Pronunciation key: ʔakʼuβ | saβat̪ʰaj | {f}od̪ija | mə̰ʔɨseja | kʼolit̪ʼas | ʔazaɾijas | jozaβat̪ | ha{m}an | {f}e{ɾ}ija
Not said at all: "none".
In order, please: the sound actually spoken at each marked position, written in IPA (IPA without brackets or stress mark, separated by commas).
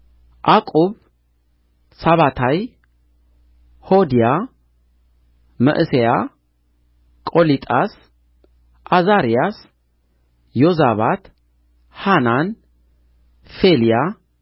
h, n, f, l